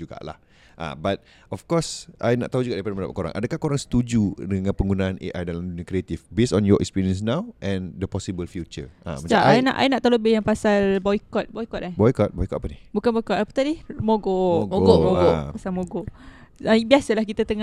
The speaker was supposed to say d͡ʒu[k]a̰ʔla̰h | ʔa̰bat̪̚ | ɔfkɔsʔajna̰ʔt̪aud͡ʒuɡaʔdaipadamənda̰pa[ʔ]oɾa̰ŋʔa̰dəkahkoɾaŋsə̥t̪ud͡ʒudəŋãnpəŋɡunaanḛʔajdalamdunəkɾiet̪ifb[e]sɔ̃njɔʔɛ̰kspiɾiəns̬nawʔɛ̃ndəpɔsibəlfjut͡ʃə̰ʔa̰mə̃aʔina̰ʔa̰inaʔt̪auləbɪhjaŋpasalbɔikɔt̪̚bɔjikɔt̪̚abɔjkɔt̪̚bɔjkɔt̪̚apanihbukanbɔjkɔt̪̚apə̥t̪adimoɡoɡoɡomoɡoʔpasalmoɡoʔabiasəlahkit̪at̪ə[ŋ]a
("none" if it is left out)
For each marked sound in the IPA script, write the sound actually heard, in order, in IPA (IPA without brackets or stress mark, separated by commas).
ɡ, k, e, ŋ